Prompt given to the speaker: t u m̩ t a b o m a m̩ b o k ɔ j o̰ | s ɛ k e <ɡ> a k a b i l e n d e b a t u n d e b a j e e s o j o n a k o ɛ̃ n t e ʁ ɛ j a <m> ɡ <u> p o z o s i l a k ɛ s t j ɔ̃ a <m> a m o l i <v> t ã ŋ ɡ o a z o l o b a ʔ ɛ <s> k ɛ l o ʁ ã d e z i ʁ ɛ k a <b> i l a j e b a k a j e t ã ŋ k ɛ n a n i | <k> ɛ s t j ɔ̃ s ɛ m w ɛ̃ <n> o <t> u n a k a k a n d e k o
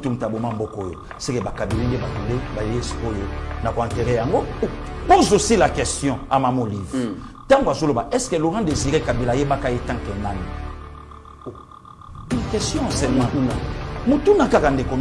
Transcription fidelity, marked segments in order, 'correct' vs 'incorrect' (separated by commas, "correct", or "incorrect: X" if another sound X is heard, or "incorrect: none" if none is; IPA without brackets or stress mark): incorrect: b, incorrect: ŋ, incorrect: o, correct, correct, correct, correct, correct, incorrect: m, correct